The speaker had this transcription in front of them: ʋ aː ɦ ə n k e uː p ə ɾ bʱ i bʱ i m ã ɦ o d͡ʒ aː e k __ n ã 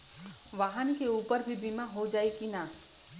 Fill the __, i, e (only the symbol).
i